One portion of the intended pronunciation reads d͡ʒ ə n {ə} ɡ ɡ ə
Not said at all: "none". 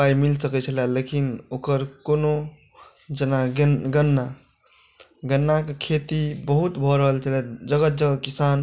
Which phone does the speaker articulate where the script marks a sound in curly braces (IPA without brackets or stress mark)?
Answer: a